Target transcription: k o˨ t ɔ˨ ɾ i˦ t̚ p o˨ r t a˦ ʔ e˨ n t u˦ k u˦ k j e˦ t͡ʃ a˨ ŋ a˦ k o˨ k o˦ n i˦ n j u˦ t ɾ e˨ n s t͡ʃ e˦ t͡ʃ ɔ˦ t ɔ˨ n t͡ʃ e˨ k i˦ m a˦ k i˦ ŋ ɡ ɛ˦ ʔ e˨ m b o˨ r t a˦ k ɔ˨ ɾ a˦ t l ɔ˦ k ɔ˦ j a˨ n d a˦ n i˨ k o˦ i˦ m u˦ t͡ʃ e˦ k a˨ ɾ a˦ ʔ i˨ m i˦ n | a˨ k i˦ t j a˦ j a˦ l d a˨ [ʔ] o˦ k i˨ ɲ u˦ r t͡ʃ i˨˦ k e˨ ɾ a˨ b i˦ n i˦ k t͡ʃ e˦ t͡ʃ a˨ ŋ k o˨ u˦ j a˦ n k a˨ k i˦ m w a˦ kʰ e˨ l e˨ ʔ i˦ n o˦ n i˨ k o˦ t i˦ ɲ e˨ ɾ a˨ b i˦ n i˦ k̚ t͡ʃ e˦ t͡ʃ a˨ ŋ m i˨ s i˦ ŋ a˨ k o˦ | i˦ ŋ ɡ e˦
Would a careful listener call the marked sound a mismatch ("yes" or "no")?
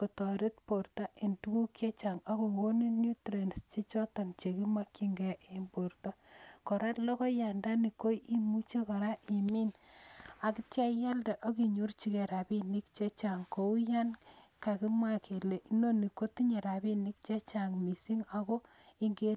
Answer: no